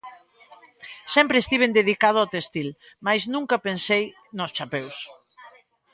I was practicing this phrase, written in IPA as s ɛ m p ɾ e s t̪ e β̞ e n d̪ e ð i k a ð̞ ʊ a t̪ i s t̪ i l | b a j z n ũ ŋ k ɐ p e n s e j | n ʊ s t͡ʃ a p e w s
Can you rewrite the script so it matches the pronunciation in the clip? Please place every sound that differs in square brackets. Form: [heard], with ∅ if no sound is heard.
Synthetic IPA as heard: s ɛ m p ɾ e s t̪ [i] β̞ e n d̪ e ð i k a ð̞ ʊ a t̪ [e] s t̪ i l | [m] a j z n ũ ŋ k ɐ p e n s e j | n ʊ s t͡ʃ a p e w s